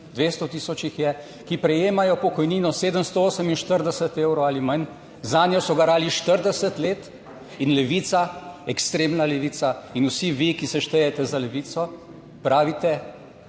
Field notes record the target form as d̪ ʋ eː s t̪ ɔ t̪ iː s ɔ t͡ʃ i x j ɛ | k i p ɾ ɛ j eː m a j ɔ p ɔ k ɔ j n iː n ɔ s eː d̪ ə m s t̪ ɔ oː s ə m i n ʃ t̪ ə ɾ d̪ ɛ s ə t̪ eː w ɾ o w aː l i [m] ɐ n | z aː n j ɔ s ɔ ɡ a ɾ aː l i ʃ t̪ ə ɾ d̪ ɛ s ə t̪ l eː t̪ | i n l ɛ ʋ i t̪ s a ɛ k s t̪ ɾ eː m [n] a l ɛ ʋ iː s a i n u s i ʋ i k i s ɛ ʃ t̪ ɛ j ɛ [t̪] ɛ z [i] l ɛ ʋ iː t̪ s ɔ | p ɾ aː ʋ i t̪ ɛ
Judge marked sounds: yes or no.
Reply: yes, yes, yes, no

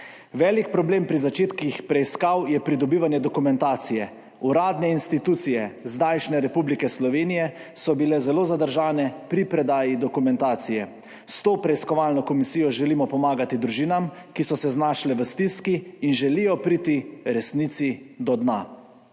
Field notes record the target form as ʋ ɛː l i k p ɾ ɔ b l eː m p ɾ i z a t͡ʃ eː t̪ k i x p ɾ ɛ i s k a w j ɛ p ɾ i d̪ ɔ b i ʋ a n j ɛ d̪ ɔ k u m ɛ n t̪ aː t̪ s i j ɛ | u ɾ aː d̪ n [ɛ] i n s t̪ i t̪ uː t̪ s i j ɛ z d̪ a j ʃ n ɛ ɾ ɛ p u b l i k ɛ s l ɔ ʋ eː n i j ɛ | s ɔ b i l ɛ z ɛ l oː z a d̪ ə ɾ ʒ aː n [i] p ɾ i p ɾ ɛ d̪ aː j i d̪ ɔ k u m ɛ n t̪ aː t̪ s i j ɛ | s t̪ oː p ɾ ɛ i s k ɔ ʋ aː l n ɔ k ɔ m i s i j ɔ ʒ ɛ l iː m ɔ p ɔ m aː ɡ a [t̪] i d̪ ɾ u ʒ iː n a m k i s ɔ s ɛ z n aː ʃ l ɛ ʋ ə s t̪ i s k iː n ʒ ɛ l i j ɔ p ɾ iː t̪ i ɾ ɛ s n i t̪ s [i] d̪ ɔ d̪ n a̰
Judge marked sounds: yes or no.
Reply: yes, no, yes, yes

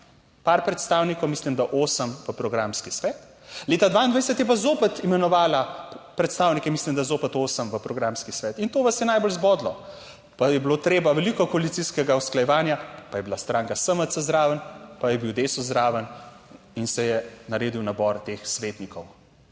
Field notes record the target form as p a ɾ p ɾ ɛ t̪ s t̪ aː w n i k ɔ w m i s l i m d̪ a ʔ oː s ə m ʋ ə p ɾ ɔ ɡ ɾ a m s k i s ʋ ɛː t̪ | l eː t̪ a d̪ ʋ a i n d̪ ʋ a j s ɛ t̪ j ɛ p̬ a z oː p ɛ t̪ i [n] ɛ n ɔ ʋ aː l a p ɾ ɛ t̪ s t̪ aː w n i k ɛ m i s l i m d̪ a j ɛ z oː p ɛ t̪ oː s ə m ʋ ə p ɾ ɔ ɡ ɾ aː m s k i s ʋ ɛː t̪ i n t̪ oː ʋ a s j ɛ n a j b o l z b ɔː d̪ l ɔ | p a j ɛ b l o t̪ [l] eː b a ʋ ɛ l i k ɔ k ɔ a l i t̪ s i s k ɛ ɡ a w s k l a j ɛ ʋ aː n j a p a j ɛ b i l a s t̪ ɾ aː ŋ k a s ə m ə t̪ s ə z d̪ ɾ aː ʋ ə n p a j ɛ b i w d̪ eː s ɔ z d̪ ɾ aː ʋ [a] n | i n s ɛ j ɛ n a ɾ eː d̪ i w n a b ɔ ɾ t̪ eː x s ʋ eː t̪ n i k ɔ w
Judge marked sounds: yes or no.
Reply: no, no, no

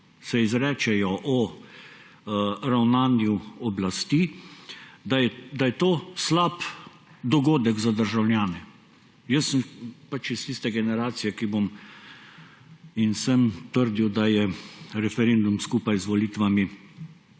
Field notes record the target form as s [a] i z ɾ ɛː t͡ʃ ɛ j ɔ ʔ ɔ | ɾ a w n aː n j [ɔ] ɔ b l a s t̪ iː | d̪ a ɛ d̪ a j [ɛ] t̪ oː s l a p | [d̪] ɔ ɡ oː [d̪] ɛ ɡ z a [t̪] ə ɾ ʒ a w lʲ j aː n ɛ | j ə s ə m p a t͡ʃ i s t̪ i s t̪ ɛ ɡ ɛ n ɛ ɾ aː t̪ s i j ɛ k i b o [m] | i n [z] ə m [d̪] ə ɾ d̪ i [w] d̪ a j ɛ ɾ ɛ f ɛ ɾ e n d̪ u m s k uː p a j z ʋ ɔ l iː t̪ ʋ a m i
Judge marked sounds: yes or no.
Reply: no, no, yes, yes, yes, no, yes, no, no, yes

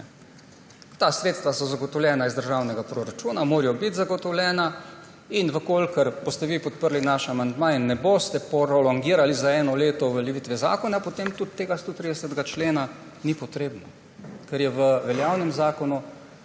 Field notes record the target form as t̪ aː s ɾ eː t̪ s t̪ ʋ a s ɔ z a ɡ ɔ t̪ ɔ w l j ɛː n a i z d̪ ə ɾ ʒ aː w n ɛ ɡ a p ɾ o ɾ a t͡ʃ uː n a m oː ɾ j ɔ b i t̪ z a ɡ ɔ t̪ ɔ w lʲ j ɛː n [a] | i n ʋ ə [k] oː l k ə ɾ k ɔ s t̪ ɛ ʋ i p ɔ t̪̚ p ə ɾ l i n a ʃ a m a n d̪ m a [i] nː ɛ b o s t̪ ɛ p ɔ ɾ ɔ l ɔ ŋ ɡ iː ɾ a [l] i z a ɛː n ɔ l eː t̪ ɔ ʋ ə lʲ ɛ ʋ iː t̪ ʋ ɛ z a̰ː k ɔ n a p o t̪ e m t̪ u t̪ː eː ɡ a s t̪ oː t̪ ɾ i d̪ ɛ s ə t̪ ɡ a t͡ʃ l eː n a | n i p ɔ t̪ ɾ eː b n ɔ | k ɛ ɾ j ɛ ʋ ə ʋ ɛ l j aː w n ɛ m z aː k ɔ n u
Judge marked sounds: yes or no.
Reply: yes, yes, yes, yes

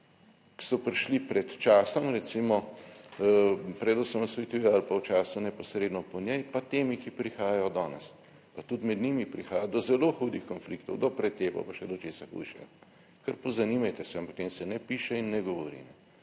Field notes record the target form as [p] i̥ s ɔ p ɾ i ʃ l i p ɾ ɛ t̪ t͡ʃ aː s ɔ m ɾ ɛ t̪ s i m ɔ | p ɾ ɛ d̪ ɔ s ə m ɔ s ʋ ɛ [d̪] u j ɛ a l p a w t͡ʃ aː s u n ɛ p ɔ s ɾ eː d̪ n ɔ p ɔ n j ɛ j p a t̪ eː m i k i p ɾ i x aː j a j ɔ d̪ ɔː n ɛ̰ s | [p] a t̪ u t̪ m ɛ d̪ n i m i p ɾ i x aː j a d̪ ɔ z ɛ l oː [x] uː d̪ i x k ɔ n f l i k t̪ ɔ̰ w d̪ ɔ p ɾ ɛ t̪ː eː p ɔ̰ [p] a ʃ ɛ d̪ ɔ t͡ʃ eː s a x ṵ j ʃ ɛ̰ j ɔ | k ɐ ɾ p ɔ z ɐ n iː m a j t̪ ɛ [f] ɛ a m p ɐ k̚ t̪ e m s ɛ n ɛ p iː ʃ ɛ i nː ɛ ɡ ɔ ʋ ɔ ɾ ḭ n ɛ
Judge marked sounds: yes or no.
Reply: no, no, yes, yes, yes, no

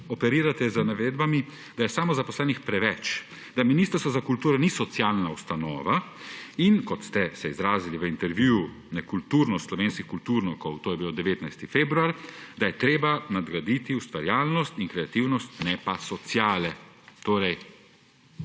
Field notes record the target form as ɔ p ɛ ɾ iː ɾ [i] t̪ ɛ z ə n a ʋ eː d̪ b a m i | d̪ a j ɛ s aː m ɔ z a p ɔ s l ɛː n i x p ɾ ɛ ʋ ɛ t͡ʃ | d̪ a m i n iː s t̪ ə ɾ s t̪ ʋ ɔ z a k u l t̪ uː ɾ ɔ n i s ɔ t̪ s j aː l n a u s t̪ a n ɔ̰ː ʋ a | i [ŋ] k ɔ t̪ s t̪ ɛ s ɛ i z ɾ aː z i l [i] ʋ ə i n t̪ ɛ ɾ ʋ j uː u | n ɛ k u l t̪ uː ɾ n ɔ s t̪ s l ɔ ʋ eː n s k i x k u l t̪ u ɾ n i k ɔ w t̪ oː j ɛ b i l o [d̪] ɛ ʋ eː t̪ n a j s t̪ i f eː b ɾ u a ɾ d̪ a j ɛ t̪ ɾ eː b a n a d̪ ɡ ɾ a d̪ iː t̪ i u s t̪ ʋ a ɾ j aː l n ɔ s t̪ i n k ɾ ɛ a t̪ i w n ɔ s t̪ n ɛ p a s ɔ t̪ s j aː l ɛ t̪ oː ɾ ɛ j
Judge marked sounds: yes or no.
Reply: no, no, yes, yes

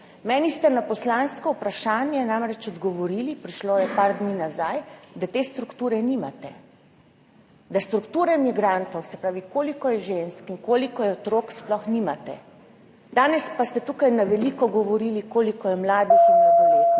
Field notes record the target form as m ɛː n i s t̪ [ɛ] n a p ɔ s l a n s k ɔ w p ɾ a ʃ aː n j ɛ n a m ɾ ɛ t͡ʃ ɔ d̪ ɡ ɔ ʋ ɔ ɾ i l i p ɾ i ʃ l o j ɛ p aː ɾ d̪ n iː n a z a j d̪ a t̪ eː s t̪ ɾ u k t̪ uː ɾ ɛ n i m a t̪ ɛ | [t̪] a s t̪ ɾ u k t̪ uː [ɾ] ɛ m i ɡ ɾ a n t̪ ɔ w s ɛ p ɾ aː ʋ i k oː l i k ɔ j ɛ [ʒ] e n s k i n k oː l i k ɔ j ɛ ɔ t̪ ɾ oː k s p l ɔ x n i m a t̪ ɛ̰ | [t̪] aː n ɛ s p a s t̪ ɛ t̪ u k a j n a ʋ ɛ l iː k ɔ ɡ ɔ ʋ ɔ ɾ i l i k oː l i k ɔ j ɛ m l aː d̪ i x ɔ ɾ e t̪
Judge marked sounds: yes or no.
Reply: yes, no, yes, yes, no

